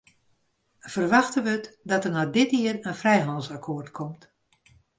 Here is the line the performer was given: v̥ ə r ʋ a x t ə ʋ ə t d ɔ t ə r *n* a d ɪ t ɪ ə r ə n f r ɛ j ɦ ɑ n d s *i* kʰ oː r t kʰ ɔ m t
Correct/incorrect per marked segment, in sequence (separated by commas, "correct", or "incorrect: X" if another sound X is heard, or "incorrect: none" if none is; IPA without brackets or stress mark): correct, incorrect: a